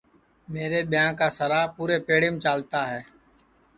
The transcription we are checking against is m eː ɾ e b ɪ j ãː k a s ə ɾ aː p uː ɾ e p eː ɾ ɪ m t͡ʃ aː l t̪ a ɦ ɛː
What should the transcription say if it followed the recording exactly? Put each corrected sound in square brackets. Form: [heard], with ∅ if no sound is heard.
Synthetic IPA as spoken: m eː ɾ e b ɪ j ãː k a s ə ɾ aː p uː ɾ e p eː [ɽ] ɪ m t͡ʃ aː l t̪ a ɦ ɛː